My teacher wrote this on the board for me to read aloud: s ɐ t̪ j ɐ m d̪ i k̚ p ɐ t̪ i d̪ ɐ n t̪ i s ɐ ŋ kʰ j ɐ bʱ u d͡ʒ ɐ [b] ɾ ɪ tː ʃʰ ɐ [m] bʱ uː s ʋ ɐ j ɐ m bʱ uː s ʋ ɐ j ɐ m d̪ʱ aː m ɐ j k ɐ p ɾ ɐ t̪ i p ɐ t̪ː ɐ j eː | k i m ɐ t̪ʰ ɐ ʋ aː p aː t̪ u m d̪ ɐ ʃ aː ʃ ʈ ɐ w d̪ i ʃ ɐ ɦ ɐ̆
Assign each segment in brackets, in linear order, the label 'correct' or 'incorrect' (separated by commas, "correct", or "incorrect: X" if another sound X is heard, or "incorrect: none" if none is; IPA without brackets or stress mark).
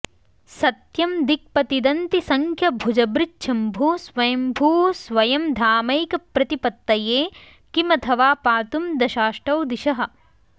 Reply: correct, correct